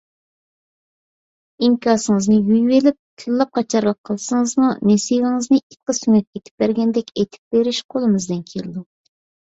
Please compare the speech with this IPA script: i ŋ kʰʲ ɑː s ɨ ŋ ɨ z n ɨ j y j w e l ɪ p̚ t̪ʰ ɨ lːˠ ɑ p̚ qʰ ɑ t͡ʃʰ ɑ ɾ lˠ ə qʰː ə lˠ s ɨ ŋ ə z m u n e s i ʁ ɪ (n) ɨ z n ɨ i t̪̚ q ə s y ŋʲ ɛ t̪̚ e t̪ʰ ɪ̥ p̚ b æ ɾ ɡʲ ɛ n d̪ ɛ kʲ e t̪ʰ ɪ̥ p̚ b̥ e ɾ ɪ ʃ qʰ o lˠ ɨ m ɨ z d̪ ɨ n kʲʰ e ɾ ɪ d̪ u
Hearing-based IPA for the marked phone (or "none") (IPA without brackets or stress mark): ŋ